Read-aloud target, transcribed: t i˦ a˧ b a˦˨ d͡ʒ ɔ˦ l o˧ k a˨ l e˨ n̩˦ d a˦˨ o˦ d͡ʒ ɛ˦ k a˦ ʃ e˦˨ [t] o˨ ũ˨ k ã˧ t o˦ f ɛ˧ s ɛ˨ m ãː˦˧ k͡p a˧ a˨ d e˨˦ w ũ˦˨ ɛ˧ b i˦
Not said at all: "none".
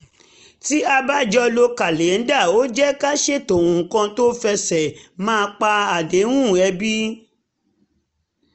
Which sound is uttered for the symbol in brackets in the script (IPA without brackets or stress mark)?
t